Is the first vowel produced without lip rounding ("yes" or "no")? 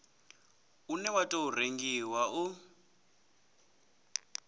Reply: no